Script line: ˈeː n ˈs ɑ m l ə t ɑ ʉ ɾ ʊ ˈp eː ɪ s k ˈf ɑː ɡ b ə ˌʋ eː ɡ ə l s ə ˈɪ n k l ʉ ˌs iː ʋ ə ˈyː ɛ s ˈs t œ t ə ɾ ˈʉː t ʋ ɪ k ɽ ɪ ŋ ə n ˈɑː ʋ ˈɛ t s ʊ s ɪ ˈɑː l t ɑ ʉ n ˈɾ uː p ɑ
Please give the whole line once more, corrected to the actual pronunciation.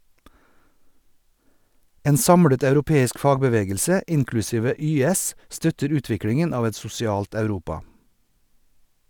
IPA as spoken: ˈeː n ˈs ɑ m ɽ ə t ɑ ʉ ɾ ʊ ˈp eː ɪ s k ˈf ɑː ɡ b ə ˌʋ eː ɡ ə l s ə ˈɪ n k l ʉ ˌs iː ʋ ə ˈyː ɛ s ˈs t œ t ə ɾ ˈʉː t ʋ ɪ k ɽ ɪ ŋ ə n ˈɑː ʋ ˈɛ t s ʊ s ɪ ˈɑː l t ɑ ʉ ˈɾ uː p ɑ

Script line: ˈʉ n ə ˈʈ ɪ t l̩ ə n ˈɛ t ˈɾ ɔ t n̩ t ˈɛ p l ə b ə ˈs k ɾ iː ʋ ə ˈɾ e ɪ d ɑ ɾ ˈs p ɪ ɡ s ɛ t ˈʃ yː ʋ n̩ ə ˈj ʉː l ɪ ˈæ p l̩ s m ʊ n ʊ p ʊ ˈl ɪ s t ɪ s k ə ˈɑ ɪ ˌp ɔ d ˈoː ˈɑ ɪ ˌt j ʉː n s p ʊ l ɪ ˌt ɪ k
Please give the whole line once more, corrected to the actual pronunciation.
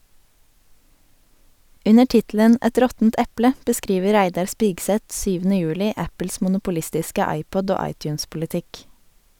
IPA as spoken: ˈʉ n ə ˈʈ ɪ t l̩ ə n ˈɛ t ˈɾ ɔ t n̩ t ˈɛ p l ə b ə ˈs k ɾ iː ʋ ə ˈɾ æ ɪ d ɑ ɾ ˈs p ɪ ɡ s ɛ t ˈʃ yː ʋ n̩ ə ˈj ʉː l ɪ ˈæ p l̩ s m ʊ n ʊ p ʊ ˈl ɪ s t ɪ s k ə ˈɑ ɪ ˌp ɔ d ˈoː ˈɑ ɪ ˌt j ʉː n s p ʊ l ɪ ˌt ɪ k

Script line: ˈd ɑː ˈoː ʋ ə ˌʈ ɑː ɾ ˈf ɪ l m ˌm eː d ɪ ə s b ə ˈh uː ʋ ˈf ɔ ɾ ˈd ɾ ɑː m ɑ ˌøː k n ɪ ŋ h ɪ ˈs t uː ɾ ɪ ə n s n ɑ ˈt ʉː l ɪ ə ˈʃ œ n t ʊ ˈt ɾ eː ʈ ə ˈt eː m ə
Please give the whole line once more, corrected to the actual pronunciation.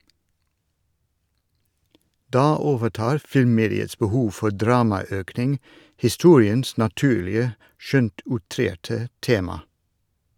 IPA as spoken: ˈd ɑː ˈoː ʋ ə ˌʈ ɑː ɾ ˈf ɪ l m ˌm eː d ɪ ə s b ə ˈh uː ʋ ˈf ɔ ɾ ˈd ɾ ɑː m ɑ ˌøː k n ɪ ŋ h ɪ ˈs t uː ɾ ɪ ə n s n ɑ ˈt ʉː l ɪ ə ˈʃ œ n t ʊ ˈt ɾ eː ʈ ə ˈt eː m ɑ

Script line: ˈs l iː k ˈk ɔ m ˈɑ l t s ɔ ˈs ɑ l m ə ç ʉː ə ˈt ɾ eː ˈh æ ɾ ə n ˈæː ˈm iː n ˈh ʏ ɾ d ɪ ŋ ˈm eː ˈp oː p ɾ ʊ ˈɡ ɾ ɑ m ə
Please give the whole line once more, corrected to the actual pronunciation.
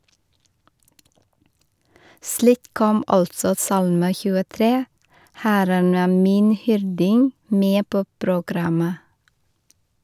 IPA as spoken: ˈs l iː k ˈk ɔ m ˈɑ l t s ɔ ˈs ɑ l m ə ç ʉː ə ˈt ɾ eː ˈh æ ɾ ə n ˈæː ˈm iː n ˈh ʏ ɾ d ɪ ŋ ˈm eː ˈp oː p ɾ ʊ ˈɡ ɾ ɑ m ə

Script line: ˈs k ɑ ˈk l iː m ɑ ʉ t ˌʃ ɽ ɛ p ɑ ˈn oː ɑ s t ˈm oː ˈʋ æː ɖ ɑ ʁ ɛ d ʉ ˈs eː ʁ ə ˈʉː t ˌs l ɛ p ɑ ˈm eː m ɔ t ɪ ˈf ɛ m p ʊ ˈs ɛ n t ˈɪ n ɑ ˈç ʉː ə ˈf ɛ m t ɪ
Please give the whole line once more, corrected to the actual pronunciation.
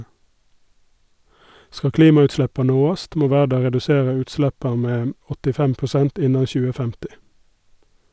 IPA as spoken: ˈs k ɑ ˈk l iː m ɑ ʉ t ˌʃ ɭ ɛ p ɑ ˈn oː ɑ s t ˈm oː ˈʋ æː ɖ ɑ ʁ ɛ d ʉ ˈs eː ʁ ə ˈʉː t ˌs l ɛ p ɑ ˈm eː m ɔ t ɪ ˈf ɛ m p ʊ ˈs ɛ n t ˈɪ n ɑ ˈç ʉː ə ˈf ɛ m t ɪ

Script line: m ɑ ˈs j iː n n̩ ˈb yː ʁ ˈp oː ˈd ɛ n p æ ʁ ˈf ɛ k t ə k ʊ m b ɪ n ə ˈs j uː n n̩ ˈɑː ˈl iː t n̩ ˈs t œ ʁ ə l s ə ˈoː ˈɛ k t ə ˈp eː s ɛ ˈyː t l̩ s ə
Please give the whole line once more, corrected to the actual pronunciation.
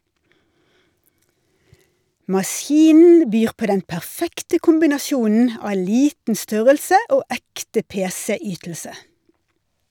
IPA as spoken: m ɑ ˈs j iː n n̩ ˈb yː ʁ ˈp oː ˈd ɛ n p æ ʁ ˈf ɛ k t ə k ʊ m b ɪ n ɑ ˈs j uː n n̩ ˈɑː ˈl iː t n̩ ˈs t œ ʁ ə l s ə ˈoː ˈɛ k t ə ˈp eː s ɛ ˈyː t l̩ s ə

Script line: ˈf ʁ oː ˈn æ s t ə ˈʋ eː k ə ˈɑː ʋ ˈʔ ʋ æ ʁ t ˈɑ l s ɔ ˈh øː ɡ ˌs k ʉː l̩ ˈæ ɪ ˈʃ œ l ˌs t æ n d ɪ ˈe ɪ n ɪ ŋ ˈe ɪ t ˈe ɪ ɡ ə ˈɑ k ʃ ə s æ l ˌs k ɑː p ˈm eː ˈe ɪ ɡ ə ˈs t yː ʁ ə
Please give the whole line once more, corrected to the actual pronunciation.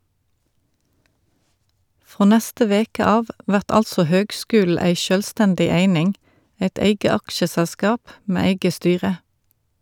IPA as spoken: ˈf ʁ oː ˈn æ s t ə ˈʋ eː k ə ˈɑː ʋ ˈʔ ʋ æ ʁ t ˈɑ l s ɔ ˈh øː ɡ ˌs k ʉː l̩ ˈæ ɪ ˈʃ œ l ˌs t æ n d ɪ ˈe ɪ n ɪ ŋ ˈe ɪ t ˈe ɪ ɡ ə ˈɑ k ʃ ə s æ l ˌs k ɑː p ˈm eː ˈe ɪ ɡ ə ˈs t yː ʁ ə

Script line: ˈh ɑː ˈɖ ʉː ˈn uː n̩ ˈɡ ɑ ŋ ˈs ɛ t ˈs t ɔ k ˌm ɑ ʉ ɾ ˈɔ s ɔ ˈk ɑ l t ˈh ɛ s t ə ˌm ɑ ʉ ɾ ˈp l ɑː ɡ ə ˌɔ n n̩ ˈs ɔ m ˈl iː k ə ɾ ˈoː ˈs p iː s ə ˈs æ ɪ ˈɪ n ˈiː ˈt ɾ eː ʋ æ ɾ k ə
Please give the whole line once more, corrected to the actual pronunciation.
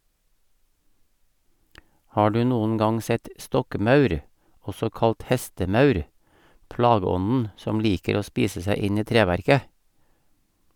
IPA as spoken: ˈh ɑː ˈɖ ʉː ˈn uː n̩ ˈɡ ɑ ŋ ˈs ɛ t ˈs t ɔ k ˌm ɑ ʉ ɾ ˈɔ s ɔ ˈk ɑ l t ˈh ɛ s t ə ˌm ɑ ʉ ɾ ˈp l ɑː ɡ ə ˌɔ n n̩ ˈs ɔ m ˈl iː k ə ɾ ˈoː ˈs p iː s ə ˈs æ ɪ ˈɪ n ˈiː ˈt ɾ eː ʋ æ ɾ k ə

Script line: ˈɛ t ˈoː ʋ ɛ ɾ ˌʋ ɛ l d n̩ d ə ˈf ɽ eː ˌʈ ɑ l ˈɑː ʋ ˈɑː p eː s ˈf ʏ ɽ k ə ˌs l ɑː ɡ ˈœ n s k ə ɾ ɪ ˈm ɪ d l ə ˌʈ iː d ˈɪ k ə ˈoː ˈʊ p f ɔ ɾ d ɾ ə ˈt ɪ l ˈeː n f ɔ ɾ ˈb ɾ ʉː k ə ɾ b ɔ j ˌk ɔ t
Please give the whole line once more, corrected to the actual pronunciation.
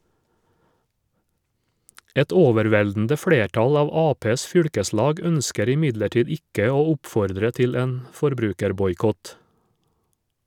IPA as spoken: ˈɛ t ˈoː ʋ ɛ ɾ ˌʋ ɛ l d n̩ d ə ˈf ɽ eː ˌʈ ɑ l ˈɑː ʋ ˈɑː p eː s ˈf ʏ ɽ k ə ˌs l ɑː ɡ ˈœ n s k ə ɾ ɪ ˈm ɪ d l ə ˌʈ iː d ˈɪ k ə ˈoː ˈʊ p f ɔ ɾ d ɾ ə ˈt ɪ l ˈeː n f ɔ ɾ ˈb ɾ ʉː k ə ɾ b ɔ j ˌk ɔ t

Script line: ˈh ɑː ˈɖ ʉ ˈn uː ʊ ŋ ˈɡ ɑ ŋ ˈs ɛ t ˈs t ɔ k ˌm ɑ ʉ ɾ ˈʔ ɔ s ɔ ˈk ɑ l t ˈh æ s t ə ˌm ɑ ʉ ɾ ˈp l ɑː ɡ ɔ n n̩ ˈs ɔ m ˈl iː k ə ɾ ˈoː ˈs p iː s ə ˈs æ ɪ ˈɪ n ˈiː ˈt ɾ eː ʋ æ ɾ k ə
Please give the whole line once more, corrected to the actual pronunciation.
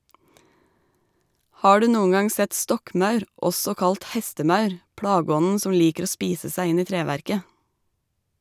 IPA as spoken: ˈh ɑː ˈɖ ʉ ˈn uː ʊ ŋ ˈɡ ɑ ŋ ˈs ɛ t ˈs t ɔ k ˌm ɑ ʉ ɾ ˈʔ ɔ s ɔ ˈk ɑ l t ˈh ɛ s t ə ˌm ɑ ʉ ɾ ˈp ɽ ɑː ɡ ɔ n n̩ ˈs ɔ m ˈl iː k ə ɾ ˈoː ˈs p iː s ə ˈs æ ɪ ˈɪ n ˈiː ˈt ɾ eː ʋ æ ɾ k ə

